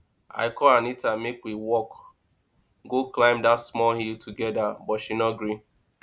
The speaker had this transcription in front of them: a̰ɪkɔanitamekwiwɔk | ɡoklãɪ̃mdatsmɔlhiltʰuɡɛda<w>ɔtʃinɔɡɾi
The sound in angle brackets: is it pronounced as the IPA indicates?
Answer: no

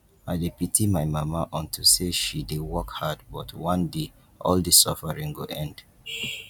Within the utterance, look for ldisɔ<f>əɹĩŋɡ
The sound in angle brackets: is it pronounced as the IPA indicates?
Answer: yes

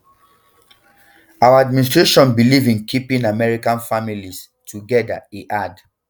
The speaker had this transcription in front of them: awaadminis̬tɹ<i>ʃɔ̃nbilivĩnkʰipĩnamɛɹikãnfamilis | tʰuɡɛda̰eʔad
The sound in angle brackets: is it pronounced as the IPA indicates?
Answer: no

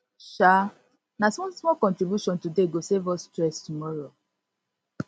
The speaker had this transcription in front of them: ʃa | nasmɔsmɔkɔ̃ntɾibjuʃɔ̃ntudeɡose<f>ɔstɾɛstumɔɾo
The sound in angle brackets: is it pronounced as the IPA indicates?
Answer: no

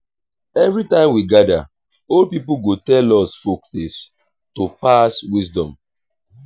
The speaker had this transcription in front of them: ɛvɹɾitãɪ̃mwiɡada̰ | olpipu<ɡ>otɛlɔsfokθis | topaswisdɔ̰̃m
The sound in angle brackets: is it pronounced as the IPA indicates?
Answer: yes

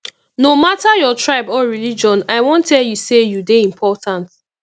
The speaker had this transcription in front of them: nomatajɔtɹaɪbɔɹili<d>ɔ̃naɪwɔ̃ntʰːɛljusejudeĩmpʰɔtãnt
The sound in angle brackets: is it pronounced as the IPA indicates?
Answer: no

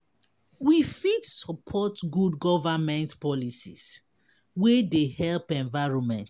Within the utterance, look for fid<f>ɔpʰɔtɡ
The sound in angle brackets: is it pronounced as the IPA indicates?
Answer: no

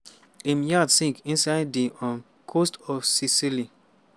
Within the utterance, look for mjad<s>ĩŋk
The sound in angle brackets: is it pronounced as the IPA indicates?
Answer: yes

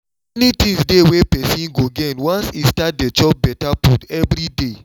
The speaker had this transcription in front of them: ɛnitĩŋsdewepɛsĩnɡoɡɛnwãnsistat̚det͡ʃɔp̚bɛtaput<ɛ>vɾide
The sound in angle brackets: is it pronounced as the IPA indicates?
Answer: yes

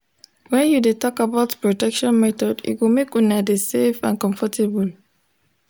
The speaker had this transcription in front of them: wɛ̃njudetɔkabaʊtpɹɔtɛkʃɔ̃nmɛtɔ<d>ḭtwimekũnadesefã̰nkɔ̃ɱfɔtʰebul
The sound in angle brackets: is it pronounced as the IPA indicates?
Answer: yes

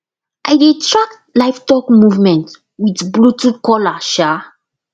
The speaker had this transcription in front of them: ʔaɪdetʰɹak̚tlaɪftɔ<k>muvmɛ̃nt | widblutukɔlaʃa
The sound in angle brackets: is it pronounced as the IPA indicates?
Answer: yes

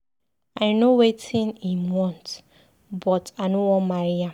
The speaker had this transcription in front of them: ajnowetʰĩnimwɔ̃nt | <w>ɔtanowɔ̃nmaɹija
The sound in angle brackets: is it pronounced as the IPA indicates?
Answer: no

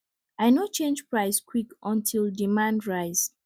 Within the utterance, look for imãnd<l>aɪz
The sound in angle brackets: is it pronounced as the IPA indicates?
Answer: no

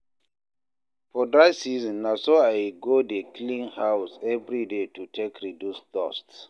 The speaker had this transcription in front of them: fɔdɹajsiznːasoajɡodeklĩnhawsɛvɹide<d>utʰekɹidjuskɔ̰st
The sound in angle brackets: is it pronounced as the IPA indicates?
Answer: no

